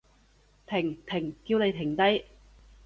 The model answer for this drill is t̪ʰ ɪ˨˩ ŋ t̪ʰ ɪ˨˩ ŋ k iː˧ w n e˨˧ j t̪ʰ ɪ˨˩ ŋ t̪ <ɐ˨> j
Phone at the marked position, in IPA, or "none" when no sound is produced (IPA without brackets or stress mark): ɐ˥